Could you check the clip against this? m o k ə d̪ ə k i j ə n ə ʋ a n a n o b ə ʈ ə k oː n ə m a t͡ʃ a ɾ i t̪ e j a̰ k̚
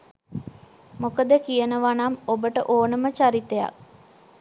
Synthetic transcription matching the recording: m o k ə d̪ ə k i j ə n ə ʋ a n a m o b ə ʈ ə ʔ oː n ə m ə t͡ʃ a ɾ i t̪ e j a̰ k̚